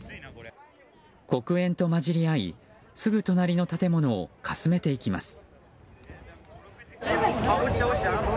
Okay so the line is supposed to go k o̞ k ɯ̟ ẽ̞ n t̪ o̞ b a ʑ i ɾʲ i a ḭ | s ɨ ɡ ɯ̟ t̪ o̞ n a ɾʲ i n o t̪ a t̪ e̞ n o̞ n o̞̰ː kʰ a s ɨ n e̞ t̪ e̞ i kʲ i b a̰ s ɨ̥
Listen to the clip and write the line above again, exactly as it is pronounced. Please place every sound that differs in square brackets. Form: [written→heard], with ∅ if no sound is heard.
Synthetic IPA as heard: k o̞ k ɯ̟ ẽ̞ n t̪ o̞ [b→m] a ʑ i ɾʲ i a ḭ | s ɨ ɡ ɯ̟ t̪ o̞ n a ɾʲ i n o t̪ a t̪ e̞ [n→m] o̞ n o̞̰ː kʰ a s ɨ [n→m] e̞ t̪ e̞ i kʲ i [b→m] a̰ s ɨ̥